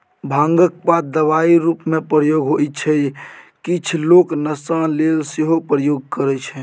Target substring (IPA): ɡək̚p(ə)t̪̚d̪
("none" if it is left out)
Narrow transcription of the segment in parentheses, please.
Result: a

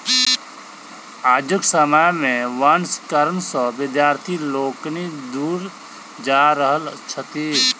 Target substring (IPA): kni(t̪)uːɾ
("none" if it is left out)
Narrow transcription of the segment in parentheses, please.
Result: d̪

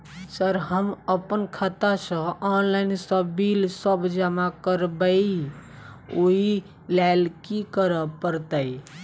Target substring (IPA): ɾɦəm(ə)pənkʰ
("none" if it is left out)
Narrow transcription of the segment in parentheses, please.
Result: ə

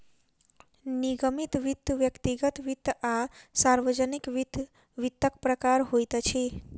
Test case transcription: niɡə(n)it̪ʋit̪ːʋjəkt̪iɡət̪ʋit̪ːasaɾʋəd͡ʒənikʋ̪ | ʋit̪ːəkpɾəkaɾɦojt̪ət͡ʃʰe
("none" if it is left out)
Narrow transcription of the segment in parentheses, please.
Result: m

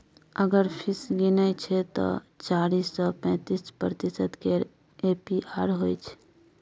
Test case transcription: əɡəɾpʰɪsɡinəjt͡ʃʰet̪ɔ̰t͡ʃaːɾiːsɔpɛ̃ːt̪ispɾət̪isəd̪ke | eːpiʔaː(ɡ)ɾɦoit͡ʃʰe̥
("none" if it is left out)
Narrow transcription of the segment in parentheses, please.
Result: none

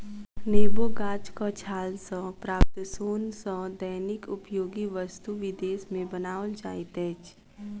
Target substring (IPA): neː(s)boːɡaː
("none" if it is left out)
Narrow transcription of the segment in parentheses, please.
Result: none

